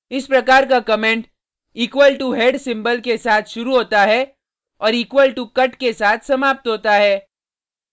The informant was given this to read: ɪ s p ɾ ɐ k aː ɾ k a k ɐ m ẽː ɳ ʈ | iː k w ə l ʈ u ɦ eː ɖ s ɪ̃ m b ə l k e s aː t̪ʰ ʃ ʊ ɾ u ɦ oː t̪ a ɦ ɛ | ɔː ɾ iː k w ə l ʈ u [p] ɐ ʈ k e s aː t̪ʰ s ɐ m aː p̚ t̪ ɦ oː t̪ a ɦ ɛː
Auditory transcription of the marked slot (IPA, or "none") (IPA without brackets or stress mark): k